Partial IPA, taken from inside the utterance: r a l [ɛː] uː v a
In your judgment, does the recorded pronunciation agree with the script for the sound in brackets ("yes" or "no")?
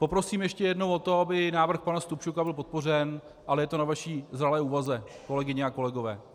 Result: yes